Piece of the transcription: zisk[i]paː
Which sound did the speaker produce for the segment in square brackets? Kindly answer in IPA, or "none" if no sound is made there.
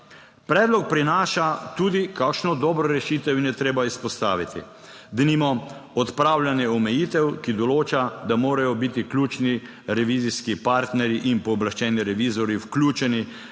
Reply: i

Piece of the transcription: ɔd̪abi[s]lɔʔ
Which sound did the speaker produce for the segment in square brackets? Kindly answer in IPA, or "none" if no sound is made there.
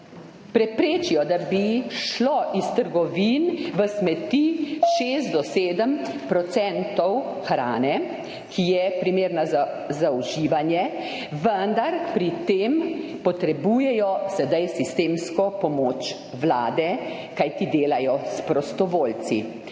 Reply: ʃ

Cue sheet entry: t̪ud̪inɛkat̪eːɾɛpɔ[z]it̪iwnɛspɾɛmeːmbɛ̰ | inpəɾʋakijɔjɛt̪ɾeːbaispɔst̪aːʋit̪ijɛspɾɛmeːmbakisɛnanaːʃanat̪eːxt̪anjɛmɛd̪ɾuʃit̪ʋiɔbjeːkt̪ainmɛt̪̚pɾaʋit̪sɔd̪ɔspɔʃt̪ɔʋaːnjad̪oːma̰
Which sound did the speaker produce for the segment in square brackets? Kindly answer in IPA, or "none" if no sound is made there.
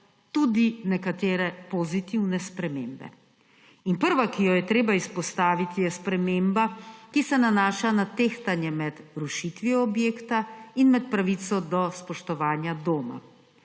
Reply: z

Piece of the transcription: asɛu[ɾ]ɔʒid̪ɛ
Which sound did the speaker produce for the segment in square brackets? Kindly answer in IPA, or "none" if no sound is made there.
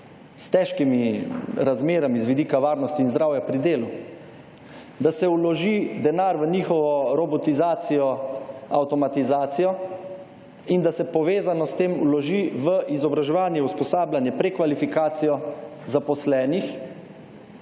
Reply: l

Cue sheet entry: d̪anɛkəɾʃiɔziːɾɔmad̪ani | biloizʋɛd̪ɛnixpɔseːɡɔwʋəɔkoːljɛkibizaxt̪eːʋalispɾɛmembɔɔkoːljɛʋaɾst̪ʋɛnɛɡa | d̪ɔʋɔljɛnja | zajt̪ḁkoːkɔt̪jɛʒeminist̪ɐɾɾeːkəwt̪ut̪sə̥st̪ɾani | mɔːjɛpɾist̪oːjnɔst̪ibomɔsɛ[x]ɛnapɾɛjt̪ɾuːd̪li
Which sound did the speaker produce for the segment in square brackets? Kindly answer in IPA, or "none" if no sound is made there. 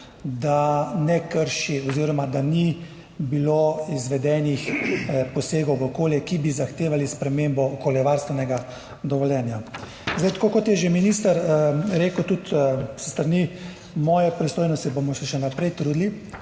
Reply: ʃ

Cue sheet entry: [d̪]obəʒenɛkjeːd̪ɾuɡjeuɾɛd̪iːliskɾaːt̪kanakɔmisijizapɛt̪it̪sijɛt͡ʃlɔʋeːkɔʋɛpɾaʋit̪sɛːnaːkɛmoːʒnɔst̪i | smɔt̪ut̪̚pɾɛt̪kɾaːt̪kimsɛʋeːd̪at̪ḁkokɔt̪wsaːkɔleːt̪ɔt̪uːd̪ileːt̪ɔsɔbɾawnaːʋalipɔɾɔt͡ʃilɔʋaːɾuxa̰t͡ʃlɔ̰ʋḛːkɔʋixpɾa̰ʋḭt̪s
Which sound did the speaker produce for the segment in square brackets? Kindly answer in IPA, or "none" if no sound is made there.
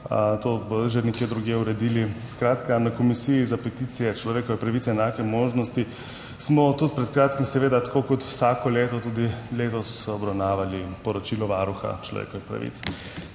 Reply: t̪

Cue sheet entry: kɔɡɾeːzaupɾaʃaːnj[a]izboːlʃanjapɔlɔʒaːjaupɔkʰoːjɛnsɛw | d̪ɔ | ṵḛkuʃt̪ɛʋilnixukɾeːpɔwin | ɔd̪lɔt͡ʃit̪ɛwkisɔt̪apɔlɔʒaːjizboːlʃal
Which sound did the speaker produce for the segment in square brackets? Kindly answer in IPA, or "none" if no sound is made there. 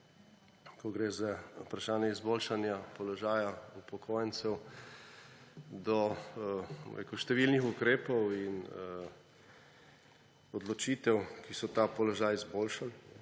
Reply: ɛ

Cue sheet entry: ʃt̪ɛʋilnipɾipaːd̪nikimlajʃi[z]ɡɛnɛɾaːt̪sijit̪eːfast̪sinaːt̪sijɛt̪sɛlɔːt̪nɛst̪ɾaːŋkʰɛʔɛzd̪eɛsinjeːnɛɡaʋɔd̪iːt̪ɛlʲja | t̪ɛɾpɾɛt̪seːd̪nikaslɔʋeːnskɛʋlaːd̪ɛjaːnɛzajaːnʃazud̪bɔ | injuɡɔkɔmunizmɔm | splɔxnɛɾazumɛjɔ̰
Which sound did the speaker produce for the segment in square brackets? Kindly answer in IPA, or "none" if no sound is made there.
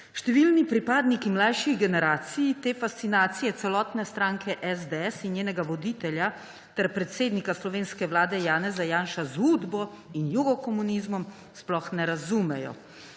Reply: ɣ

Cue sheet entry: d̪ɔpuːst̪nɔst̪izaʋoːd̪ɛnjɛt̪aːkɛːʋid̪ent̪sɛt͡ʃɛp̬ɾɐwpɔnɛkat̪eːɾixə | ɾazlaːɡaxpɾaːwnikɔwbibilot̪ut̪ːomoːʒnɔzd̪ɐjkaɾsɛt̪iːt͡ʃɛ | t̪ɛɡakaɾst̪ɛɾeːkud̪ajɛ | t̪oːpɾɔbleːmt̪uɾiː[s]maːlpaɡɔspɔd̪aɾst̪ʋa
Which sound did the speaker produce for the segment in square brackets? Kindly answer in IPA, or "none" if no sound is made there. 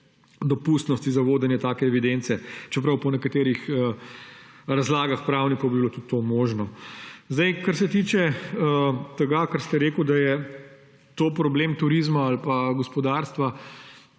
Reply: z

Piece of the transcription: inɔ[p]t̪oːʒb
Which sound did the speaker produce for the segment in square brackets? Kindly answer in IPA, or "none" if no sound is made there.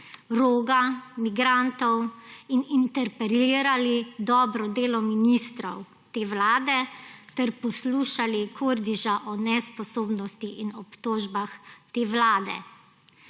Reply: p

